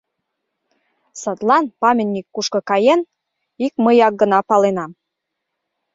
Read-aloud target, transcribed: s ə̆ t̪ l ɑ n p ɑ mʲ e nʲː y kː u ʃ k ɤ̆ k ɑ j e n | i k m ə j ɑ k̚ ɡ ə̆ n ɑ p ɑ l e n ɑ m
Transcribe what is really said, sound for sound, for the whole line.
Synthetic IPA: s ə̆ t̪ l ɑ n p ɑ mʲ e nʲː i kː u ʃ k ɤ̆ k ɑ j e n | i k m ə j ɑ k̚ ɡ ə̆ n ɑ p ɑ l e n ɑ m